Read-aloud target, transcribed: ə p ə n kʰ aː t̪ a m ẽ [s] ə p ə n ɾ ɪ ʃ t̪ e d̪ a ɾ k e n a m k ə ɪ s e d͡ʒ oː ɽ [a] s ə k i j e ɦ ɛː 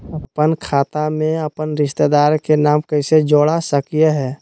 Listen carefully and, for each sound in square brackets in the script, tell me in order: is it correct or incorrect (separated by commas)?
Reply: incorrect, correct